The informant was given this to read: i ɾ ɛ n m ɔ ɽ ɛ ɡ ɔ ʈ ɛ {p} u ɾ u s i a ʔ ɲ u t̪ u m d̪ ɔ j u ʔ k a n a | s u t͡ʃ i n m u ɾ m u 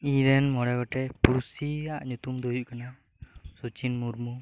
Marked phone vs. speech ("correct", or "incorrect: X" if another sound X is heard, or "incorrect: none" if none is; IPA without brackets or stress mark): correct